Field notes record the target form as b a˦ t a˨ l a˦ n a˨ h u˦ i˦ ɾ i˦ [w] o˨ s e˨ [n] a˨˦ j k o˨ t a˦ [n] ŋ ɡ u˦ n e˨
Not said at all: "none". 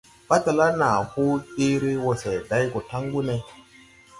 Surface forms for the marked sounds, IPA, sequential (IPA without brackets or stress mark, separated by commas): w, d, none